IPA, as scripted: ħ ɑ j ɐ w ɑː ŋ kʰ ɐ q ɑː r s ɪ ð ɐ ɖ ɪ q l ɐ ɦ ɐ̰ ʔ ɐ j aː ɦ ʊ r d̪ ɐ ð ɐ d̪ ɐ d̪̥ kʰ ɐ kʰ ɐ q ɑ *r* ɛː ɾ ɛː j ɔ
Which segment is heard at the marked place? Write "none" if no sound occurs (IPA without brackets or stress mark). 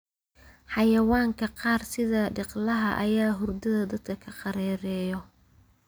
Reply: ɾ